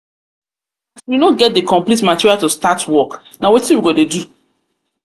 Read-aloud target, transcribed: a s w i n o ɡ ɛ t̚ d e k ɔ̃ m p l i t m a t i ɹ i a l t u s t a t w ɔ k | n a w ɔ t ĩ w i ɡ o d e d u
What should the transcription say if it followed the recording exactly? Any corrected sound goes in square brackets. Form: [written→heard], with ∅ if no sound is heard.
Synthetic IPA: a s w i n o ɡ ɛ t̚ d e k ɔ̃ m p l i t m a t i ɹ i a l t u s t a t w ɔ k | n a w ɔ t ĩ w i ɡ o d e d u